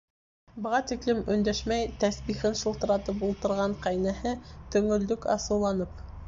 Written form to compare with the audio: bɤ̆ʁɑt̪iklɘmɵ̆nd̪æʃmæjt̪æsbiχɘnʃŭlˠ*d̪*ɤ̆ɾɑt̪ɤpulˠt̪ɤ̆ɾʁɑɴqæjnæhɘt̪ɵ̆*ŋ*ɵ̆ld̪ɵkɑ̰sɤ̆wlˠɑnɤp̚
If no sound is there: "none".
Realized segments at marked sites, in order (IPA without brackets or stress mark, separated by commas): t̪, ŋ